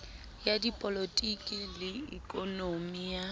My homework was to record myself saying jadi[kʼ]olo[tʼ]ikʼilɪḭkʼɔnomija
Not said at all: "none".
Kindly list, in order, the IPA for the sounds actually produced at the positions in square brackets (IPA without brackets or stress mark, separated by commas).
pʼ, tʼ